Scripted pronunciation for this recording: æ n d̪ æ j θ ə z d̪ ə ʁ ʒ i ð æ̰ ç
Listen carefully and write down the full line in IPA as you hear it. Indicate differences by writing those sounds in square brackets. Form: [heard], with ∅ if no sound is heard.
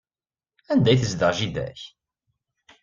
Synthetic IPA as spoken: æ n d̪ æ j θ ə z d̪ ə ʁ ʒ i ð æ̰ ç